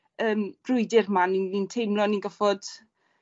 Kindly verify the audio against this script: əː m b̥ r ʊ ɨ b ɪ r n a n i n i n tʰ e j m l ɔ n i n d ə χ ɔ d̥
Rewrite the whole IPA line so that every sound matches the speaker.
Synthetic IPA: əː m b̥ r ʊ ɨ d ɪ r m a n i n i n tʰ e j m l ɔ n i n ɡ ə f ɔ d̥

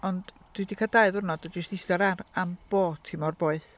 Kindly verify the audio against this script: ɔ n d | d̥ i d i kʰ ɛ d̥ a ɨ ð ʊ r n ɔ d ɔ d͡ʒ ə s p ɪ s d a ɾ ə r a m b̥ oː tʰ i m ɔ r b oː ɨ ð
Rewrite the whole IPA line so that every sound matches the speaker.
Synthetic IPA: ɔ n d | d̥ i d i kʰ a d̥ a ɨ ð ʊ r n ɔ d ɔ d͡ʒ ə s t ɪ s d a ɾ a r a m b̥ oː tʰ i m ɔ r b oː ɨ θ

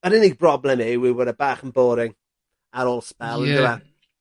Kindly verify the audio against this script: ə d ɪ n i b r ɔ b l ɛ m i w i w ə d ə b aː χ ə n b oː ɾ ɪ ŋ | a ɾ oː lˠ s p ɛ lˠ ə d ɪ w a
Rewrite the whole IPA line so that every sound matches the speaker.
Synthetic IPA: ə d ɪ n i b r ɔ b l ɛ m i w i w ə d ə b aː χ ə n b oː ɾ ɪ ŋ | a ɾ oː lˠ s p ɛ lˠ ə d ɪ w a

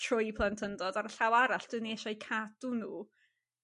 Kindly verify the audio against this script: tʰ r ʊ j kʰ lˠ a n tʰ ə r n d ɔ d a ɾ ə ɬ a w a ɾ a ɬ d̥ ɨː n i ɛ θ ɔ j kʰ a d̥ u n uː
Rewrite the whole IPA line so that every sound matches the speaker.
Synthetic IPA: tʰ r ʊ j pʰ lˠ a n tʰ ə n d ɔ d a ɾ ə ɬ a w a ɾ a ɬ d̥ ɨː n i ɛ ʃ ɔ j kʰ a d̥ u n uː

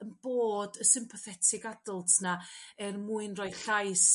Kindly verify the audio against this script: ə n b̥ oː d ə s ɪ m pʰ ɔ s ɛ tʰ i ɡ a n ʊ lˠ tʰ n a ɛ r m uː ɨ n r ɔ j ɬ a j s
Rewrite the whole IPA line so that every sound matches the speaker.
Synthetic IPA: ə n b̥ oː d ə s ɪ m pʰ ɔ θ ɛ tʰ ɪ ɡ a d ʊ lˠ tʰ n a ɛ r m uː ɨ n r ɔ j ɬ a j s

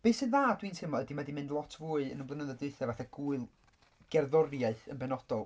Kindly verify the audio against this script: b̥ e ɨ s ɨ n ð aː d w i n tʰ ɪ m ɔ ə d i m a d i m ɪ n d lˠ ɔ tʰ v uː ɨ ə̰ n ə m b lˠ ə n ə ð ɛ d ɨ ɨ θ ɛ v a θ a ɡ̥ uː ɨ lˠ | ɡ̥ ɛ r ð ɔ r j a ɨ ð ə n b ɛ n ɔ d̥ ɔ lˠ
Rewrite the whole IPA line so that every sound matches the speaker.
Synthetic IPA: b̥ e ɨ s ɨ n ð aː d w i n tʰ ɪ m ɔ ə d i m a d i m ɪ n d lˠ ɔ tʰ v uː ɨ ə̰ n ə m b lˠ ə n ə ð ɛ d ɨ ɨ θ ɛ v a θ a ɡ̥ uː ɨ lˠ | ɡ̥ ɛ r ð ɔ r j a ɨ θ ə n b ɛ n ɔ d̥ ɔ lˠ

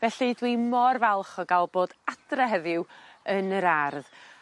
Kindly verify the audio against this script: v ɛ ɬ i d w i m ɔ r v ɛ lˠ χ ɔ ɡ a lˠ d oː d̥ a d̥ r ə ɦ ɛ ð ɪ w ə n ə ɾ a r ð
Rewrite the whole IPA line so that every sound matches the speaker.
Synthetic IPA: v ɛ ɬ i d w i m ɔ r v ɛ lˠ χ ɔ ɡ a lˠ b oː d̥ a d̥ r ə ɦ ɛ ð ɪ w ə n ə ɾ a r ð

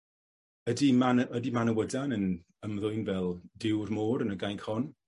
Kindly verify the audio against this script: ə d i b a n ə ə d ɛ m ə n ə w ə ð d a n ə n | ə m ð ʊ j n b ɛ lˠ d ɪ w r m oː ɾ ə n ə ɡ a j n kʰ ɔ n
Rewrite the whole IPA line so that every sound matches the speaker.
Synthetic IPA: ə d i m a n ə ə d i m a n ə w ə d a n ə n | ə m ð ʊ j n v ɛ lˠ d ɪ w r m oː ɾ ə n ə ɡ a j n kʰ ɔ n

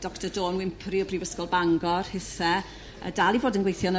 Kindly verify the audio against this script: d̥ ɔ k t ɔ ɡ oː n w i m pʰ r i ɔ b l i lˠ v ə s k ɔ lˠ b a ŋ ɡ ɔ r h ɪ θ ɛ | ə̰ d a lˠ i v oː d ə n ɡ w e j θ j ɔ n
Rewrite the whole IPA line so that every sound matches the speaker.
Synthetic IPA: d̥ ɔ k t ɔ d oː n w ɪ m pʰ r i ɔ b r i v ə s k ɔ lˠ b a ŋ ɡ ɔ r h ɪ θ ɛ | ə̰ d a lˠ i v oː d ə n ɡ w e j θ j ɔ n

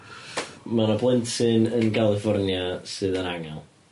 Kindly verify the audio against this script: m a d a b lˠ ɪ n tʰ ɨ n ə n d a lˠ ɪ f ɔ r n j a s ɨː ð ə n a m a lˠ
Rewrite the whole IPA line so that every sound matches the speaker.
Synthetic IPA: m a n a b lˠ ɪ n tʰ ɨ n ə n ɡ a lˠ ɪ f ɔ r n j a s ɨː ð ə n a ŋ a lˠ

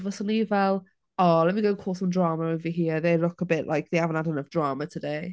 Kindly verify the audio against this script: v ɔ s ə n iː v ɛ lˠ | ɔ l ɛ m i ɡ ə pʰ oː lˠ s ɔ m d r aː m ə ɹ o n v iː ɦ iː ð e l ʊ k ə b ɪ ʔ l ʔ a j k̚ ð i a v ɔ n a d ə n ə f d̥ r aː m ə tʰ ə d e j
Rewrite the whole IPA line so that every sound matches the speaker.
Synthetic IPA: v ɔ s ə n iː v ɛ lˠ | ɔ l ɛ m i ɡ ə kʰ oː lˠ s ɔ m d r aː m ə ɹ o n v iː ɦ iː ð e l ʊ k ə b ɪ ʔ l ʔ a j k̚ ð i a v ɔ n a d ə n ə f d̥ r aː m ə tʰ ə d e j

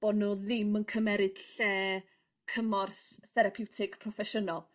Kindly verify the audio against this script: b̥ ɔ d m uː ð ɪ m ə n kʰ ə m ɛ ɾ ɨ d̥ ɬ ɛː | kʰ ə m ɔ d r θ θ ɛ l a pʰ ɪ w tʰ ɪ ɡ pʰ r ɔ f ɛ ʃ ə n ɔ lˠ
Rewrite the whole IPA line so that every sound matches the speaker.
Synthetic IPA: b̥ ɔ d n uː ð ɪ m ə n kʰ ə m ɛ ɾ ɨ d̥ ɬ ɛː | kʰ ə m ɔ r θ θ ɛ ɾ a pʰ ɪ w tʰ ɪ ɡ pʰ r ɔ f ɛ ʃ ə n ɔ lˠ

